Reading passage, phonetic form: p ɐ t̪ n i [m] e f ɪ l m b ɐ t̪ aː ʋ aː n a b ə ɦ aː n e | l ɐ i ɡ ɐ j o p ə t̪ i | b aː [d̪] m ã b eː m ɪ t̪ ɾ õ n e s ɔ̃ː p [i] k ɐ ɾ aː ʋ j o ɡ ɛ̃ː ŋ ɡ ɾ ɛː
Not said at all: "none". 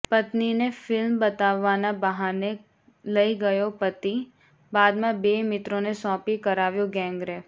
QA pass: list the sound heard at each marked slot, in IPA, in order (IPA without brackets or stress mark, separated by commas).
n, d̪, i